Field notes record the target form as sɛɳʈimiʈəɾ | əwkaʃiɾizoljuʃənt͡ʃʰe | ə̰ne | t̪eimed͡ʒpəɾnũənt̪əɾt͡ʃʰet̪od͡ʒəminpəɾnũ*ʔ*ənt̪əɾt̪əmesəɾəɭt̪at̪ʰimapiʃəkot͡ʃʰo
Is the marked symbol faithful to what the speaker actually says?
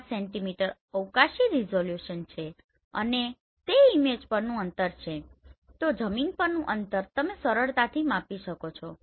yes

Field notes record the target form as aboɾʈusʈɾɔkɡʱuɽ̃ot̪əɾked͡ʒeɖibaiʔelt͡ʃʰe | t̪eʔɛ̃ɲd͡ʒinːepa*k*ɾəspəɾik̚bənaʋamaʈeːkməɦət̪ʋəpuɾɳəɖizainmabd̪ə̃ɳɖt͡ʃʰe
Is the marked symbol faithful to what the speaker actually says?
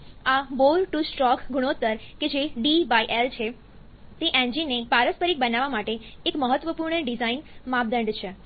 no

